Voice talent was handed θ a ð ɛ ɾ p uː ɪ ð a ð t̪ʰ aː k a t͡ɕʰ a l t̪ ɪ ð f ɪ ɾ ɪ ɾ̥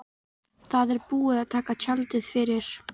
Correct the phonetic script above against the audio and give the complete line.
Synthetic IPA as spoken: θ a ð ɛ ɾ p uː ɪ ð a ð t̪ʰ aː k a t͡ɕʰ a l t̪ ɪ ð f ɪ ɾ ɪ ɾ̥